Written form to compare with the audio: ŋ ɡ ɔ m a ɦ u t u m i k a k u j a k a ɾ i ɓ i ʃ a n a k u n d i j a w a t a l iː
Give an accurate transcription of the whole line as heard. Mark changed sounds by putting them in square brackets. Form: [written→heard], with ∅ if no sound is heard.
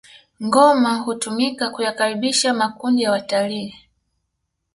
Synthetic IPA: ŋ ɡ ɔ m a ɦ u t u m i k a k u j a k a ɾ i ɓ i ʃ a [n→m] a k u n d i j a w a t a l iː